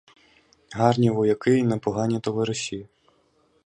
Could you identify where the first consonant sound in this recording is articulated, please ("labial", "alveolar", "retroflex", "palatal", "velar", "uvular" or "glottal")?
glottal